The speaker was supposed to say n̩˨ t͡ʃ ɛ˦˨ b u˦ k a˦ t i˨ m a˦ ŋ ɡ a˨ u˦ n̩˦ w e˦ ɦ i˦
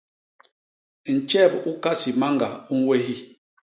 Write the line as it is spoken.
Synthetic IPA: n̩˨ t͡ʃ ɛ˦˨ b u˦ k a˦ s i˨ m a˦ ŋ ɡ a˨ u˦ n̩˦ w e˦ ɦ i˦